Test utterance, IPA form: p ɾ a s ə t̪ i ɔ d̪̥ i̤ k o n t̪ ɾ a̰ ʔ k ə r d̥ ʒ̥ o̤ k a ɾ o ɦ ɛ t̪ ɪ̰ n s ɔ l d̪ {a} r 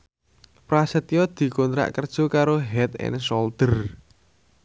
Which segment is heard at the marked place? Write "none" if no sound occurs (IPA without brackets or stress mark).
ə